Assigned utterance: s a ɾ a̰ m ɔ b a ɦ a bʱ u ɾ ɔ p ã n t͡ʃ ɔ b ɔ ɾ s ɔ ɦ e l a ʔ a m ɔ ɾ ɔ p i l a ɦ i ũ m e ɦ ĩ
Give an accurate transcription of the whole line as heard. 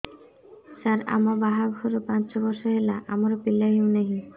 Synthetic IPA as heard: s a ɾ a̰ m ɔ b a ɦ a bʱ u ɾ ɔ p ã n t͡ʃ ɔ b ɔ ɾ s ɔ ɦ e l a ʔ a m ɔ ɾ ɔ p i l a ɦ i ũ n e ɦ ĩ

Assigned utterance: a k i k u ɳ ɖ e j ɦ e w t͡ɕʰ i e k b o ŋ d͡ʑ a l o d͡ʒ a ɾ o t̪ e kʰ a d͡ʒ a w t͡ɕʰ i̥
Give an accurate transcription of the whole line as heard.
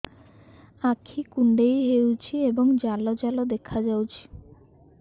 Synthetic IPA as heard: a kʰ i k u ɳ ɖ e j ɦ e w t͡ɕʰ i e b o ŋ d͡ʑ a l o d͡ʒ a l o d̪ e kʰ a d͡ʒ a w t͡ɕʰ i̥

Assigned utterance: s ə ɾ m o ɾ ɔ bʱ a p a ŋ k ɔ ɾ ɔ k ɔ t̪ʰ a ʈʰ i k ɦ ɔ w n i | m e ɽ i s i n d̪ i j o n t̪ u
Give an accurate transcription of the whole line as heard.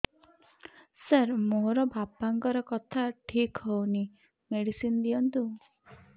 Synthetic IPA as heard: s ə ɾ m o ɾ ɔ bʱ a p a ŋ k ɔ ɾ ɔ k ɔ t̪ʰ a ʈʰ i k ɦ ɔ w n i | m e ɽ i s i n d̪ i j ɔ n t̪ u

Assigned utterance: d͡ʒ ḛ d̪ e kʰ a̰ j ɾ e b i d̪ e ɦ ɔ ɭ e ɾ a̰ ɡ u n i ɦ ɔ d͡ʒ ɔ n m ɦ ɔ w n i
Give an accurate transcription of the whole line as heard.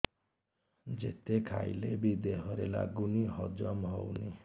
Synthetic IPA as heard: d͡ʒ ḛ t̪ e kʰ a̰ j l e b i d̪ e ɦ ɔ ɾ e l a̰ ɡ u n i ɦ ɔ d͡ʒ ɔ m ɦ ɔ w n i

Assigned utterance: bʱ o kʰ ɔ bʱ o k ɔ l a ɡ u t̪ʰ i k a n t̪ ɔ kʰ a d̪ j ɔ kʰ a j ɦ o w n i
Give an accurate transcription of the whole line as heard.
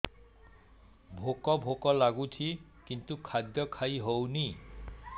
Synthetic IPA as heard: bʱ o k ɔ bʱ o k ɔ l a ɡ u t̪ʰ i k i n t̪ u kʰ a d̪ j ɔ kʰ a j ɦ o w n i

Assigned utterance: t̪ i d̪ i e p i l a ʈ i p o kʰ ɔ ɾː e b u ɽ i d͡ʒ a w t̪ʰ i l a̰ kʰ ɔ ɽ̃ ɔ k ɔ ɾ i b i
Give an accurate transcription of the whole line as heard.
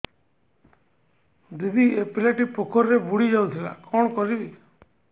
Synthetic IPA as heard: d̪ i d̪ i e p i l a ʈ i p o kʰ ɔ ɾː e b u ɽ i d͡ʒ a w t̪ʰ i l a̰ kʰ ɔ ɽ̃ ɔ k ɔ ɾ i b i

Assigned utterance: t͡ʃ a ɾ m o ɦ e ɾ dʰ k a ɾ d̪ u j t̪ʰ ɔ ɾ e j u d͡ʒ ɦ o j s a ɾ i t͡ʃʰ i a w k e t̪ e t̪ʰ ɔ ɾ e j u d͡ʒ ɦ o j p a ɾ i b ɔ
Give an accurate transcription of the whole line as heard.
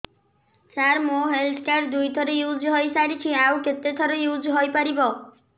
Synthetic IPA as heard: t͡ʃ a ɾ m o ɦ e l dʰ k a ɾ d̪ u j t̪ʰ ɔ ɾ e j u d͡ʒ ɦ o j s a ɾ i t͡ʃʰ i a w k e t̪ e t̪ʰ ɔ ɾ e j u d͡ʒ ɦ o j p a ɾ i b ɔ

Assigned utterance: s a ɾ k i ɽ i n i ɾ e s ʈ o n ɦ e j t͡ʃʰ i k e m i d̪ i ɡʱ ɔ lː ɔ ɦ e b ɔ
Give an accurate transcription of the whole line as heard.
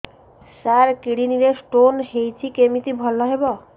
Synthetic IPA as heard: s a ɾ k i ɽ i n i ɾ e s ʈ o n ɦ e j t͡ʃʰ i k e m i t̪ i bʱ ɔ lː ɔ ɦ e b ɔ

